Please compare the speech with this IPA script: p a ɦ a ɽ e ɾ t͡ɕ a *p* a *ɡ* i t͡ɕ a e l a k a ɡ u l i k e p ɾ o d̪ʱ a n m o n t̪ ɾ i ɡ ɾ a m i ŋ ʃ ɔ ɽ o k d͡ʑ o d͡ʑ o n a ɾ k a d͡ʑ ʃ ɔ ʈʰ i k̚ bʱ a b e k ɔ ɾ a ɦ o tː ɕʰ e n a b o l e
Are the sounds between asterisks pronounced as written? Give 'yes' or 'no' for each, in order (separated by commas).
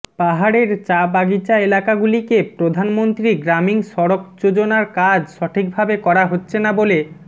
no, yes